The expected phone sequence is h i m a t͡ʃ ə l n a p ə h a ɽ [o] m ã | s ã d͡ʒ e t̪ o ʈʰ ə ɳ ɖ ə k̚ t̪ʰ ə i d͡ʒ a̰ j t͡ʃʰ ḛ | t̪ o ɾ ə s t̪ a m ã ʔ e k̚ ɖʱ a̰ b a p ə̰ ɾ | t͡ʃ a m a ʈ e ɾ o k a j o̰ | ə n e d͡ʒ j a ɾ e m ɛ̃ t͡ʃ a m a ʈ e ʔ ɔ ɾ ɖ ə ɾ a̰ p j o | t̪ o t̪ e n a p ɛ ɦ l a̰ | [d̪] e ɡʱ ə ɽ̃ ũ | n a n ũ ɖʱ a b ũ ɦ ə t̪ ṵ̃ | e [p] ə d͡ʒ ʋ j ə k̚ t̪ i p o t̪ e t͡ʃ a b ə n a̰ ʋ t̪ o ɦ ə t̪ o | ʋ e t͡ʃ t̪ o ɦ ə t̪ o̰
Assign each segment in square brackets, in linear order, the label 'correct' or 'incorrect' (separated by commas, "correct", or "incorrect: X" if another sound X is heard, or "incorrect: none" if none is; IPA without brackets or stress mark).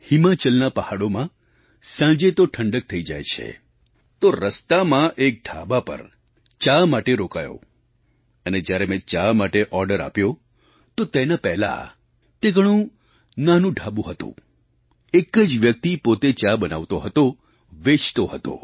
correct, incorrect: t̪, incorrect: k